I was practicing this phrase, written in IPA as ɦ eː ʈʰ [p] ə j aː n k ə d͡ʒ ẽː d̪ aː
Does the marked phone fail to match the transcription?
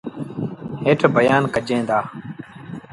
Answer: yes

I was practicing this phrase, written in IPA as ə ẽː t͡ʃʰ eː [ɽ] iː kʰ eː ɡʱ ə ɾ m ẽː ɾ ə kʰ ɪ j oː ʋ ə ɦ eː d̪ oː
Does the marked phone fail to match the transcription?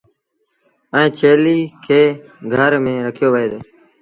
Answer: yes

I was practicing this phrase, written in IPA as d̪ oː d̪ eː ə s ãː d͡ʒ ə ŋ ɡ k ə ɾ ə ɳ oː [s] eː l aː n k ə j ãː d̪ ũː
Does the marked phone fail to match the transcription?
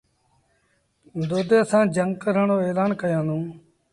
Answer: yes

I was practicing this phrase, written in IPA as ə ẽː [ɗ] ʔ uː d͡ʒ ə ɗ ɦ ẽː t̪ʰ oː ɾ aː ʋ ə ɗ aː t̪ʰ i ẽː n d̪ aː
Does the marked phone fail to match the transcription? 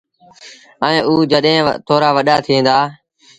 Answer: yes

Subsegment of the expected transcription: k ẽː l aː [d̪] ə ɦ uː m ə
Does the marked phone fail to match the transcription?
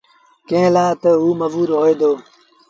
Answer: yes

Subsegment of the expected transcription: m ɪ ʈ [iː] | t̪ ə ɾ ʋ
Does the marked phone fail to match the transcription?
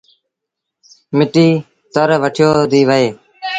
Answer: no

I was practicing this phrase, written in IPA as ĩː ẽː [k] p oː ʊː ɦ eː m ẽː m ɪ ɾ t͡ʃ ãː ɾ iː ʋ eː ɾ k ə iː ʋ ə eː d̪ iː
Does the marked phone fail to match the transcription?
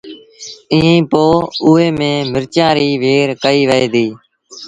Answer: yes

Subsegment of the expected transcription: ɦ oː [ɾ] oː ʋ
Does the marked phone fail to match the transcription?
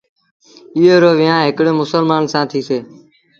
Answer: no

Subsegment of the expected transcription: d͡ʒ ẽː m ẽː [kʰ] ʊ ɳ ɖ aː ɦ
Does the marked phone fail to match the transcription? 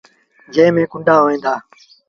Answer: yes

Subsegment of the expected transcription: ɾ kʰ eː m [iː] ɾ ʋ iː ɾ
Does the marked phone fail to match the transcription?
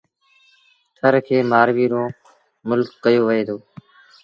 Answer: yes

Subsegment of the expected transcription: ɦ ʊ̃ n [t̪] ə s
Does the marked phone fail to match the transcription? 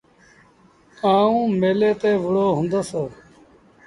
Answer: yes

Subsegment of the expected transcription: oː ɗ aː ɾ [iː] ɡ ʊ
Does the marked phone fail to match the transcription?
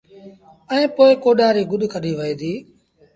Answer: no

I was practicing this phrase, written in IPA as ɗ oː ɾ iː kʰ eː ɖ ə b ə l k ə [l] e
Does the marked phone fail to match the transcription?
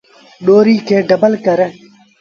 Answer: yes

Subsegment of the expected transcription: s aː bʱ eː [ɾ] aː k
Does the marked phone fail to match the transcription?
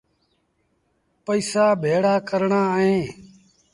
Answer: yes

